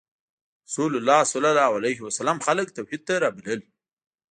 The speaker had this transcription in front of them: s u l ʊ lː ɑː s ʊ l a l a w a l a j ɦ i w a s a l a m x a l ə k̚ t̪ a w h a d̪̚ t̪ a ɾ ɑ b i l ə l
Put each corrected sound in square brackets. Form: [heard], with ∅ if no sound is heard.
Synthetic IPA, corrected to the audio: s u l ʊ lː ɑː s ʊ l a l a w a l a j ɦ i w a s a l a m x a l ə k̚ t̪ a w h [i] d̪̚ t̪ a ɾ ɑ b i l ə l